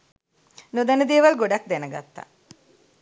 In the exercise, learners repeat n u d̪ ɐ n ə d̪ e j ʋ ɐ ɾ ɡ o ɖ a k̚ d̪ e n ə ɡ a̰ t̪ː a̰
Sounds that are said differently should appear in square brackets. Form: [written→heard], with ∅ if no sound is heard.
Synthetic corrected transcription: n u d̪ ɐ n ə d̪ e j ʋ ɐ [ɾ→l] ɡ o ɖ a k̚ d̪ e n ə ɡ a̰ t̪ː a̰